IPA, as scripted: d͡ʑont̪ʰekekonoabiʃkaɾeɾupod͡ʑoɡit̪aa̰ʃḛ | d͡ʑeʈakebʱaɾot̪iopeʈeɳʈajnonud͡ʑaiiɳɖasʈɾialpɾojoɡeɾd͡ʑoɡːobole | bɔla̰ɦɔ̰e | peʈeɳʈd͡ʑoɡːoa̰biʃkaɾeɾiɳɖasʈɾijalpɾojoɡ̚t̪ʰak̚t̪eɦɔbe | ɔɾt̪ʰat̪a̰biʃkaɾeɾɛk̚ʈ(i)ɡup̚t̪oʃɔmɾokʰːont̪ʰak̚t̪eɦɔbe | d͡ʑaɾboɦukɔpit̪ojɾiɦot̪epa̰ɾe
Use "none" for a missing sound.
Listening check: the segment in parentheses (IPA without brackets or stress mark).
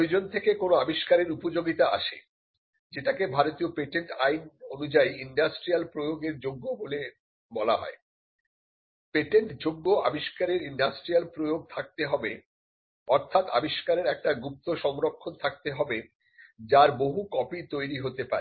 a